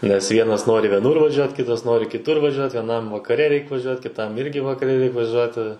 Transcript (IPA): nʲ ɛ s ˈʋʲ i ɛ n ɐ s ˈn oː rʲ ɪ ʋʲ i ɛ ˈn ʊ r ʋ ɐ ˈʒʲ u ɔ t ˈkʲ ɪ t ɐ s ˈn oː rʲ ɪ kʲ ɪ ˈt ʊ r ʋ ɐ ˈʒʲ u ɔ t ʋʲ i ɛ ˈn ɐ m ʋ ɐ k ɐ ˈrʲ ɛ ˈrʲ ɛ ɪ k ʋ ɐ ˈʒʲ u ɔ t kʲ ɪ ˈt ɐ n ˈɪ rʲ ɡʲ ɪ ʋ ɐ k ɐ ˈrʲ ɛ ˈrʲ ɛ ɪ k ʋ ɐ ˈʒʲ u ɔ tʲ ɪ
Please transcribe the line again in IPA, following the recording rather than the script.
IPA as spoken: nʲ ɛ s ˈʋʲ i ɛ n ɐ s ˈn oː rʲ ɪ ʋʲ i ɛ ˈn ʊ r ʋ ɐ ˈʒʲ u ɔ t ˈkʲ ɪ t ɐ s ˈn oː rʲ ɪ kʲ ɪ ˈt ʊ r ʋ ɐ ˈʒʲ u ɔ t ʋʲ i ɛ ˈn ɐ m ʋ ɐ k ɐ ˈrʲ ɛ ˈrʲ ɛ ɪ k ʋ ɐ ˈʒʲ u ɔ t kʲ ɪ ˈt ɐ m ˈɪ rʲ ɡʲ ɪ ʋ ɐ k ɐ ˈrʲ ɛ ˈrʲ ɛ ɪ k ʋ ɐ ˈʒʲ u ɔ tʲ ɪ

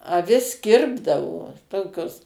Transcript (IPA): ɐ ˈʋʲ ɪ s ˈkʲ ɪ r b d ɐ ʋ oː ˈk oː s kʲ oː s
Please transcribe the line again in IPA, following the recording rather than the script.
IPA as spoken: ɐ ˈʋʲ ɪ s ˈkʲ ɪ r b d ɐ ʋ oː ˈt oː kʲ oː s

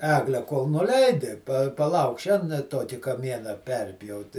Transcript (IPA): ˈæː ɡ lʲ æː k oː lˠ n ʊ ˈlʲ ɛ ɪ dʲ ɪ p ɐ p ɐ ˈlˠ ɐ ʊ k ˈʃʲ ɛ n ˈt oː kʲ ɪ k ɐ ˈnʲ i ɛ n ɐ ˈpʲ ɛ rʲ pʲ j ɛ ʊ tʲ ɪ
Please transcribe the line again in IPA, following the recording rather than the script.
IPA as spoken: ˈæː ɡ lʲ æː k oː lˠ n ʊ ˈlʲ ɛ ɪ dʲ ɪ p ɐ p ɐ ˈlˠ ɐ ʊ k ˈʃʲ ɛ n ˈt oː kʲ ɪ k ɐ ˈmʲ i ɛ n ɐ ˈpʲ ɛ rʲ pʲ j ɛ ʊ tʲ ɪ

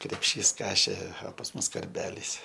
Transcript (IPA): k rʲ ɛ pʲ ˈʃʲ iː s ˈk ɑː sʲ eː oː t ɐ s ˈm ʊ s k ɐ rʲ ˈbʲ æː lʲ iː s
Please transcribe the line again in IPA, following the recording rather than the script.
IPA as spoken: k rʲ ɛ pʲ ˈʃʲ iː s ˈk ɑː ʃʲ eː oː p ɐ s ˈm ʊ s k ɐ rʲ ˈbʲ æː lʲ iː s

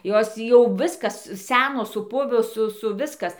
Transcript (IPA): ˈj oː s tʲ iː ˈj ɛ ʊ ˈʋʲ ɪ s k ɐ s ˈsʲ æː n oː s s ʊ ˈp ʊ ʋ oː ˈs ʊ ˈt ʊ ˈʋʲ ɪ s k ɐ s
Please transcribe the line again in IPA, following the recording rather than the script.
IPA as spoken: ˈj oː s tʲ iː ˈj ɛ ʊ ˈʋʲ ɪ s k ɐ s ˈsʲ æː n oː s s ʊ ˈp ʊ ʋ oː ˈs ʊ ˈs ʊ ˈʋʲ ɪ s k ɐ s

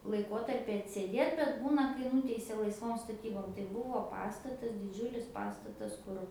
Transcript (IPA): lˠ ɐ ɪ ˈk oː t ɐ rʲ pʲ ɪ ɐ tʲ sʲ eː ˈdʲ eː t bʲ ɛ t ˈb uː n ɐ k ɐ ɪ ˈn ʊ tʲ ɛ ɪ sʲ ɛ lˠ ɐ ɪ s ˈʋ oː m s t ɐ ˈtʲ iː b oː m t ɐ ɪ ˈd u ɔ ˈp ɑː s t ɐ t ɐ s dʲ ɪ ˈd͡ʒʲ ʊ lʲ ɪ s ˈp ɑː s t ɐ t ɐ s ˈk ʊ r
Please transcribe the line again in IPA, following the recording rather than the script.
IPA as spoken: lˠ ɐ ɪ ˈk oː t ɐ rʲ pʲ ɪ ɐ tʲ sʲ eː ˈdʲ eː t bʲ ɛ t ˈb uː n ɐ k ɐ ɪ ˈn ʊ tʲ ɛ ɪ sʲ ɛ lˠ ɐ ɪ s ˈʋ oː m s t ɐ ˈtʲ iː b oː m t ɐ ɪ ˈb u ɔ ˈp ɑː s t ɐ t ɐ s dʲ ɪ ˈd͡ʒʲ ʊ lʲ ɪ s ˈp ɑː s t ɐ t ɐ s ˈk ʊ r

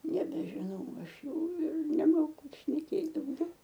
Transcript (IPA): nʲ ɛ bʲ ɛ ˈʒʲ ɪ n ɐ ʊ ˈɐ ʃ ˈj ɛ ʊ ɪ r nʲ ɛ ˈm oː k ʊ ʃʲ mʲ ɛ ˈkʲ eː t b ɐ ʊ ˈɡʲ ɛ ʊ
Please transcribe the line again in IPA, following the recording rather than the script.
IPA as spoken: nʲ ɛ bʲ ɛ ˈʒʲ ɪ n ɐ ʊ ˈɐ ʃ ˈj ɛ ʊ ɪ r nʲ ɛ ˈm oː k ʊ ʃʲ nʲ ɛ ˈkʲ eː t d ɐ ʊ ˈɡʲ ɛ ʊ

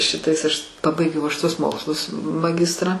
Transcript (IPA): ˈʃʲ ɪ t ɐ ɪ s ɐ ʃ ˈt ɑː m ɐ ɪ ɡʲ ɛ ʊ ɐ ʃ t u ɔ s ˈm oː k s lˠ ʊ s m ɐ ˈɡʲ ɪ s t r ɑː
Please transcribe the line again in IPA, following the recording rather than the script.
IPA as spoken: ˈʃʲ ɪ t ɐ ɪ s ɐ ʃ ˈp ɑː b ɐ ɪ ɡʲ ɛ ʊ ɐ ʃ t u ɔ s ˈm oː k s lˠ ʊ s m ɐ ˈɡʲ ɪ s t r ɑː

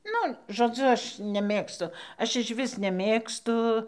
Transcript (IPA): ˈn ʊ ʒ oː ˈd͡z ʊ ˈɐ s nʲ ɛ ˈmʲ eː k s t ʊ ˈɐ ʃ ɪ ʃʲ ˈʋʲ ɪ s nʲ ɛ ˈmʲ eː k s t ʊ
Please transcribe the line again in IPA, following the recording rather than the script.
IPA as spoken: ˈn ʊ ʒ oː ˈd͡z ʊ ˈɐ ʃ nʲ ɛ ˈmʲ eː k s t ʊ ˈɐ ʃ ɪ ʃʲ ˈʋʲ ɪ s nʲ ɛ ˈmʲ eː k s t ʊ

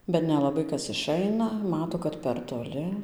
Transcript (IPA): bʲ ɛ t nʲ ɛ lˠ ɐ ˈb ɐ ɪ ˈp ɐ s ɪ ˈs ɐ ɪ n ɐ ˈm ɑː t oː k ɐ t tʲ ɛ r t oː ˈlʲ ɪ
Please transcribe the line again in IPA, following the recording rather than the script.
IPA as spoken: bʲ ɛ t nʲ ɛ lˠ ɐ ˈb ɐ ɪ ˈk ɐ s ɪ ˈʃ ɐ ɪ n ɐ ˈm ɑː t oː k ɐ t pʲ ɛ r t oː ˈlʲ ɪ

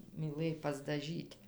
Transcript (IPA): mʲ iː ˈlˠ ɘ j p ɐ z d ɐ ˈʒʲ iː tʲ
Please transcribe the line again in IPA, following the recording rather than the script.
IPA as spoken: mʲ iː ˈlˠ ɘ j p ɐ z d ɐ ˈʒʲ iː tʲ

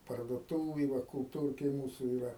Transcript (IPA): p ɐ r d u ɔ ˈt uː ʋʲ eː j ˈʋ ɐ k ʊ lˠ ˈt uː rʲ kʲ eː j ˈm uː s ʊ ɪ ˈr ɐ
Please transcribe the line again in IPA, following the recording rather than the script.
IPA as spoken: p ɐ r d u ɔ ˈt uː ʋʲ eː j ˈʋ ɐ k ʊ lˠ ˈt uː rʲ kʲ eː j ˈm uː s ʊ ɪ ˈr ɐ

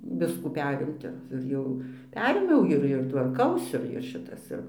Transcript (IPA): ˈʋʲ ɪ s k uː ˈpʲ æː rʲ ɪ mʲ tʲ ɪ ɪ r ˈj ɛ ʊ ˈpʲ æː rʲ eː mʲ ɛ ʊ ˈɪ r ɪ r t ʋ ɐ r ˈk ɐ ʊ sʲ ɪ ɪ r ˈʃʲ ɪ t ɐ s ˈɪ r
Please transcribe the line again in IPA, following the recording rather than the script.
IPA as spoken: ˈʋʲ ɪ s k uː ˈpʲ æː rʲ ɪ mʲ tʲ ɪ ɪ r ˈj ɛ ʊ ˈpʲ æː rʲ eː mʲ ɛ ʊ ˈɪ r ɪ r t ʋ ɐ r ˈk ɐ ʊ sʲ ɪ ɪ r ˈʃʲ ɪ t ɐ s ˈɪ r

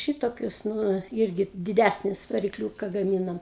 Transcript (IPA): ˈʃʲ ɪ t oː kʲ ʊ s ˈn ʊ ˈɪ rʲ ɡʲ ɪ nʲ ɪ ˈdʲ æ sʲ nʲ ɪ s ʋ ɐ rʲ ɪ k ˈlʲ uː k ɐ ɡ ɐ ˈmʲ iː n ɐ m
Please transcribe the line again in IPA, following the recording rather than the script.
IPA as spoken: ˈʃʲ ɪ t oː kʲ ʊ s ˈn ʊ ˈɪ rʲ ɡʲ ɪ dʲ ɪ ˈdʲ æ sʲ nʲ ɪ s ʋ ɐ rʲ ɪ k ˈlʲ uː k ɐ ɡ ɐ ˈmʲ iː n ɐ m

